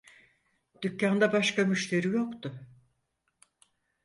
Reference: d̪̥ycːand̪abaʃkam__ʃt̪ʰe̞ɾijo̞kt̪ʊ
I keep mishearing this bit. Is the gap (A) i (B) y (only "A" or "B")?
B